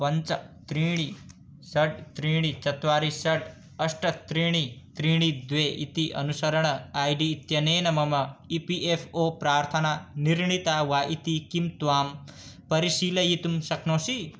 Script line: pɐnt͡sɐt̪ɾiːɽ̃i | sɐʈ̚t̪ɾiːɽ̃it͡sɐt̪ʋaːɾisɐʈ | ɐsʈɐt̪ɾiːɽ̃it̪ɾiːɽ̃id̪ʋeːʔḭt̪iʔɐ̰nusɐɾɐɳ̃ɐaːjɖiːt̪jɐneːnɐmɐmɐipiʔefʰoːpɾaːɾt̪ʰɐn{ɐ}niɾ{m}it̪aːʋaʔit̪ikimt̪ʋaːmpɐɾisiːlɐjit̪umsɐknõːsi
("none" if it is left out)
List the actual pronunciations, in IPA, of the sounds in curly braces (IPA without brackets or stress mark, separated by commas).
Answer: a, ɳ